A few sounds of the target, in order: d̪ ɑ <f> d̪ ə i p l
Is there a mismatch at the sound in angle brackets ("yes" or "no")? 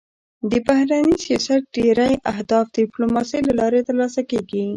no